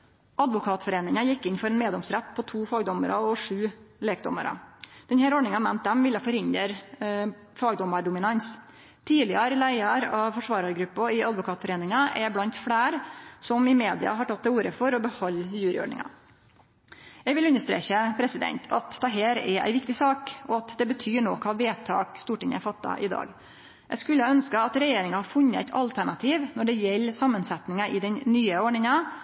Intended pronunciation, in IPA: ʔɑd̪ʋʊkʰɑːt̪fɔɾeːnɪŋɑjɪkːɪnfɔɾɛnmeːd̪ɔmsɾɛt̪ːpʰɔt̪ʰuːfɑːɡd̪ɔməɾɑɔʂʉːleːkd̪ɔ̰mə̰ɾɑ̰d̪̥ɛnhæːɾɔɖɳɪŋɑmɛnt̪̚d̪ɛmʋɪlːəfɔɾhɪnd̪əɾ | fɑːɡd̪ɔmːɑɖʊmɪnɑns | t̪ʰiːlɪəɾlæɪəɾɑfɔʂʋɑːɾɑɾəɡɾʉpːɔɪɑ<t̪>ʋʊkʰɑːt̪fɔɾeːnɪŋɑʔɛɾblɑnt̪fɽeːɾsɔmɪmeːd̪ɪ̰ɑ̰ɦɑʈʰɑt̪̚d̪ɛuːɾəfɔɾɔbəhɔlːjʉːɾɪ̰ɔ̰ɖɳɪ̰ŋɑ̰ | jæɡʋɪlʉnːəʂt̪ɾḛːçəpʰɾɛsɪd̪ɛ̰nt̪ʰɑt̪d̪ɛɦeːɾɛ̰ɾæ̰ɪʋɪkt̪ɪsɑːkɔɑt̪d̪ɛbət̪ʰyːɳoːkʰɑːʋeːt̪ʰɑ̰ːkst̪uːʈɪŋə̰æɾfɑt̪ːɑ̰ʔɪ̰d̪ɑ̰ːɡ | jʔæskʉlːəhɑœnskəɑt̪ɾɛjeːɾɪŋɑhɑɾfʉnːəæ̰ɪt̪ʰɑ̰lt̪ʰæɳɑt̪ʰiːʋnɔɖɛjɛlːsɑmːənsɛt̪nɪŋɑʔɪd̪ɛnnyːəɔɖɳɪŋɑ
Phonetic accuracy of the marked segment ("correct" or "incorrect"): incorrect